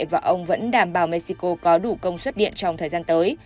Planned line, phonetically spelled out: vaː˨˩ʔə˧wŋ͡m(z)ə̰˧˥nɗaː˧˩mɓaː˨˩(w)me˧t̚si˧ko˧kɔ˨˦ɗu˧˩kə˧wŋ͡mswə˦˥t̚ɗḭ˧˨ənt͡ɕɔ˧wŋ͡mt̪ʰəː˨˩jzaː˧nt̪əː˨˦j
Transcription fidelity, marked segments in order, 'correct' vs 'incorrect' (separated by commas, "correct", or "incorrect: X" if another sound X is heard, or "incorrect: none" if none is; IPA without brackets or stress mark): incorrect: v, correct